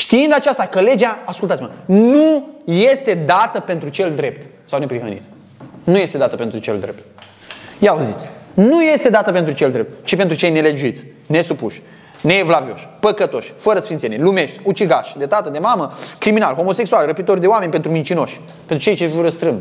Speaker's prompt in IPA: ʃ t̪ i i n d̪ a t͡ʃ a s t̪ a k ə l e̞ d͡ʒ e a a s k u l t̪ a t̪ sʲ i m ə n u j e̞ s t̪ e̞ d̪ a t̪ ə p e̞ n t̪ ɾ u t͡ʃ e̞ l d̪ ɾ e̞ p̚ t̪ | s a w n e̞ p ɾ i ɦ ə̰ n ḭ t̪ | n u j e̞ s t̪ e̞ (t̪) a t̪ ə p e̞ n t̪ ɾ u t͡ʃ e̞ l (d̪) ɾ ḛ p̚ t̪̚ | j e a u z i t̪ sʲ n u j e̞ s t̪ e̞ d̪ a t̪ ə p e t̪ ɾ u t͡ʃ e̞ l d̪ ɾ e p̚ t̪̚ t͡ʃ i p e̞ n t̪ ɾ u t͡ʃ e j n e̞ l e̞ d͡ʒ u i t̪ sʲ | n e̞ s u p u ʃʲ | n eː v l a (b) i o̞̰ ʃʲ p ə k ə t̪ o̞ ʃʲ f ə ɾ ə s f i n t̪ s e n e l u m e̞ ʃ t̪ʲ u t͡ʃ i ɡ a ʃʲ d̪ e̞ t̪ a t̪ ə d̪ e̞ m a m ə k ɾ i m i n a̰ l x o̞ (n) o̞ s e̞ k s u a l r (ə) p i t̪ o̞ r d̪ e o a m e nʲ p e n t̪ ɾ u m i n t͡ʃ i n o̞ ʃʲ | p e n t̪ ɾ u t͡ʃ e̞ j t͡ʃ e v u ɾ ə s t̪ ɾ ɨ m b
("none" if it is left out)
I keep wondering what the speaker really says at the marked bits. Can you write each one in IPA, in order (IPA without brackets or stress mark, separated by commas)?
d̪, d̪, v, m, ə